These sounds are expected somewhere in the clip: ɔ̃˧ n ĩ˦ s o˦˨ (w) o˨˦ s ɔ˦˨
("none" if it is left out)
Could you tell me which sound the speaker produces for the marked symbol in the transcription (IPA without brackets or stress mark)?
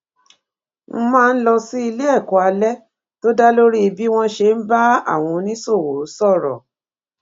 w